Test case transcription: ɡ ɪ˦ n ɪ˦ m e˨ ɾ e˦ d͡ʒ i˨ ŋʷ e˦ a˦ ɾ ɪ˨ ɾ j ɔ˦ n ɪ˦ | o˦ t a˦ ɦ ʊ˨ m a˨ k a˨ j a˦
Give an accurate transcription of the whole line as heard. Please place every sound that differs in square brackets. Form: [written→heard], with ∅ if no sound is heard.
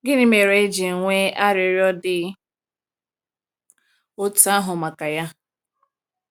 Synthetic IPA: ɡ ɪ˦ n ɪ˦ m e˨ ɾ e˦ d͡ʒ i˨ ŋʷ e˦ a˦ ɾ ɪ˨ ɾ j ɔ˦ [n→d] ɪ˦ | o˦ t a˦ ɦ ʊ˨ m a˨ k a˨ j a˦